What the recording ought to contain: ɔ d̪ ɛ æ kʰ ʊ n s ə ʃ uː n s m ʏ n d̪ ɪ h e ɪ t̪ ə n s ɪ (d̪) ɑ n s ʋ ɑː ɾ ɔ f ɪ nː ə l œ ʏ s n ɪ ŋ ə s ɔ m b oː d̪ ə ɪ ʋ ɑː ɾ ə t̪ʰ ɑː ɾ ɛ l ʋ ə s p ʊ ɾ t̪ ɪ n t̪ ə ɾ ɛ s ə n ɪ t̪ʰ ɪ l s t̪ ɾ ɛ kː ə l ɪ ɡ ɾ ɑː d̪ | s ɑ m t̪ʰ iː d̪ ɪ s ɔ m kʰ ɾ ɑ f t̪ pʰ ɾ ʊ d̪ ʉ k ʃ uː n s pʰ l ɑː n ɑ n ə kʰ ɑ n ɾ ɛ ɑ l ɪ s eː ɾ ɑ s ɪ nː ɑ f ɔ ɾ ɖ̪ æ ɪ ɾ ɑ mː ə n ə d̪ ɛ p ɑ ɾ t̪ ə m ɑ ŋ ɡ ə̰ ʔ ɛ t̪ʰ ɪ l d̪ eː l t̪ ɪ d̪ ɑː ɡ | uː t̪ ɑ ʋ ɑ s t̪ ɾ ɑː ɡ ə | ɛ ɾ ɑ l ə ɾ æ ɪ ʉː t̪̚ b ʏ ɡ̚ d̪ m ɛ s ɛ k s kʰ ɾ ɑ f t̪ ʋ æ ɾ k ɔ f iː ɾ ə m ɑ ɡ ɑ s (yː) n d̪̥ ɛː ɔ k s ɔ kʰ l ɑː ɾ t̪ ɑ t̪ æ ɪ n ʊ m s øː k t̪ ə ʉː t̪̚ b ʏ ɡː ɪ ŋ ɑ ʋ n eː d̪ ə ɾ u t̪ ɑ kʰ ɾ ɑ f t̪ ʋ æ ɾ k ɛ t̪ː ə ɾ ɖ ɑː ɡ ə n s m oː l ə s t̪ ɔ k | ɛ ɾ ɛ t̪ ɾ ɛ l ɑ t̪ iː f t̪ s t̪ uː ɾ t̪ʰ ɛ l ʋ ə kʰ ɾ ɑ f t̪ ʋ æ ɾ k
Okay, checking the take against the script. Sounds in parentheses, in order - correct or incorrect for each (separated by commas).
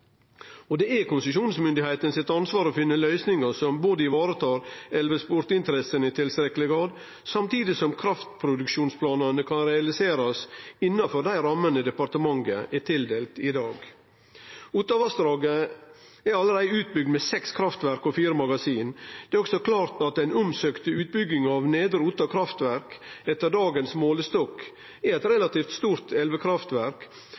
incorrect, incorrect